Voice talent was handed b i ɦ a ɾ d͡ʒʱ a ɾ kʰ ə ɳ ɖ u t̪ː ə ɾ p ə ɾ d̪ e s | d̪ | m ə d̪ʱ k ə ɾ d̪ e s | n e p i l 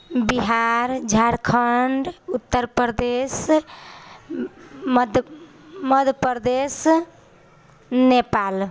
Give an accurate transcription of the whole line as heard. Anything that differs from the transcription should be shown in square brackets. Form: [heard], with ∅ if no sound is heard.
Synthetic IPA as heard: b i ɦ a ɾ d͡ʒʱ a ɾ kʰ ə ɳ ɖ u t̪ː ə ɾ p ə ɾ d̪ e s | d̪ | m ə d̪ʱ [p] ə ɾ d̪ e s | n e p [a] l

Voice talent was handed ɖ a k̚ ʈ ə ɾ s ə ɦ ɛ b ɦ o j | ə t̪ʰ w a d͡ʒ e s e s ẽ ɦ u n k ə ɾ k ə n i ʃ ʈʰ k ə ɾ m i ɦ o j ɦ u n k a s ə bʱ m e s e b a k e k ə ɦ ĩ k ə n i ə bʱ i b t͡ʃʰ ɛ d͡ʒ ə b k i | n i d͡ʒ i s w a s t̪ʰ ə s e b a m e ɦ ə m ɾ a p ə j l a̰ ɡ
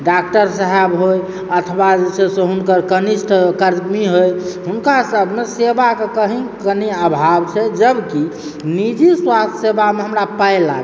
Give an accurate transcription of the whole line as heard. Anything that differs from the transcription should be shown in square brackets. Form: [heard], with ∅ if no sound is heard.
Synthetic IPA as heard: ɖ a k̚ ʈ ə ɾ s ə ɦ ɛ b ɦ o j | ə t̪ʰ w a d͡ʒ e s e s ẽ ɦ u n k ə ɾ k ə n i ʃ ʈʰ k ə ɾ m i ɦ o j ɦ u n k a s ə bʱ m e s e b a k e k ə ɦ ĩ k ə n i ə bʱ [a] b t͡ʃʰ ɛ d͡ʒ ə b k i | n i d͡ʒ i s w a s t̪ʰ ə s e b a m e ɦ ə m ɾ a p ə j l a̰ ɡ

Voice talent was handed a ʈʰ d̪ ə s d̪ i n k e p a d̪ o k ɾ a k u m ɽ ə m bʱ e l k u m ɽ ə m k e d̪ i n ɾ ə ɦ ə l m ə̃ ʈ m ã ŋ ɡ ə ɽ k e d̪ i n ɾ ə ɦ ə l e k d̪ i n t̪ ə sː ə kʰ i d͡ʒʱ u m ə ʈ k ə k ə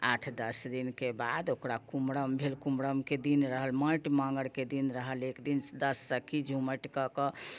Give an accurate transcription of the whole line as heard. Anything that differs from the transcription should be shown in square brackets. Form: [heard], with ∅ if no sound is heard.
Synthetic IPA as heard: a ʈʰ d̪ ə s d̪ i n k e [b] a d̪ o k ɾ a k u m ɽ ə m bʱ e l k u m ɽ ə m k e d̪ i n ɾ ə ɦ ə l m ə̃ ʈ m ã ŋ ɡ ə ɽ k e d̪ i n ɾ ə ɦ ə l e k d̪ i n [d̪] ə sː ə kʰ i d͡ʒʱ u m ə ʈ k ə k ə

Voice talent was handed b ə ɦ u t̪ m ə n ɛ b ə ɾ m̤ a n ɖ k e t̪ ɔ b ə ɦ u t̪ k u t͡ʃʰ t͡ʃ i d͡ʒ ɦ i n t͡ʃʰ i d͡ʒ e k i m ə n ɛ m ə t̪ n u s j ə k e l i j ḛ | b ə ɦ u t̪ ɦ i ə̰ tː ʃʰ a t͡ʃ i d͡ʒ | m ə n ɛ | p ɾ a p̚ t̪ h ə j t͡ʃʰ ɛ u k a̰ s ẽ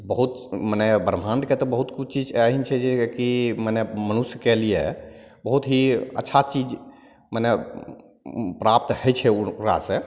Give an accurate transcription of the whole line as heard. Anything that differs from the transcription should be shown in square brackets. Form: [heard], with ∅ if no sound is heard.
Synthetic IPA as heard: b ə ɦ u t̪ m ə n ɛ b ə ɾ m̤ a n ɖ k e t̪ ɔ b ə ɦ u t̪ k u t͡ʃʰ t͡ʃ i d͡ʒ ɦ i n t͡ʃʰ [ɛ] d͡ʒ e k i m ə n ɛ m ə [∅] n u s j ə k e l i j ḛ | b ə ɦ u t̪ ɦ i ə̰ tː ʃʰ a t͡ʃ i d͡ʒ | m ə n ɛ | p ɾ a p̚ t̪ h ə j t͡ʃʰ ɛ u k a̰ s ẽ

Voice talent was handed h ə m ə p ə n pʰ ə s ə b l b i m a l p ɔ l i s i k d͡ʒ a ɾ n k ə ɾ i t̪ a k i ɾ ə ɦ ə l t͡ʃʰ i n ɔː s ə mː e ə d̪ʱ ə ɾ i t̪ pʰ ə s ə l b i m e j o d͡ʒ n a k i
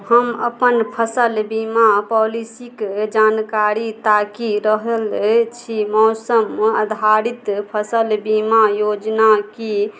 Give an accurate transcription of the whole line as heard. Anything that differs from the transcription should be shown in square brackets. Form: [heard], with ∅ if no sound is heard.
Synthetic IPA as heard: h ə m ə p ə n pʰ ə s ə [∅] l b i m a [∅] p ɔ l i s i k d͡ʒ a [∅] n k [a] ɾ i t̪ a k i ɾ ə ɦ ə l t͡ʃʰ i [m] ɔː s ə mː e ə d̪ʱ [a] ɾ i t̪ pʰ ə s ə l b i m [a] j o d͡ʒ n a k i

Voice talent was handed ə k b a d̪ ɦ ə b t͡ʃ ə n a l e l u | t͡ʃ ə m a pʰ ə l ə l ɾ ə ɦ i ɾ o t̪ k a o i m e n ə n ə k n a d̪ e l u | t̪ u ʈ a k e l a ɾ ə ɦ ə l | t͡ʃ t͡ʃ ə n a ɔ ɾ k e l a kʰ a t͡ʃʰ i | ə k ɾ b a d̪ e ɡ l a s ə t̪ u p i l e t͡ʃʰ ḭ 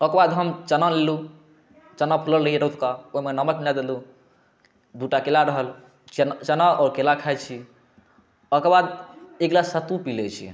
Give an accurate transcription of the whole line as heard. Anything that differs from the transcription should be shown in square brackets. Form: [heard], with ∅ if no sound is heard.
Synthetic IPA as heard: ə k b a d̪ ɦ ə [m] t͡ʃ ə n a l e l u | t͡ʃ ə [n] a pʰ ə l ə l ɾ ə ɦ i ɾ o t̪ k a o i m e n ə [m] ə k n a d̪ e l u | [d̪] u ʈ a k e l a ɾ ə ɦ ə l | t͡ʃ t͡ʃ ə n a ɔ ɾ k e l a kʰ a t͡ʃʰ i | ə k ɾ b a d̪ e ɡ l a s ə t̪ u p i l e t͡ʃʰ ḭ

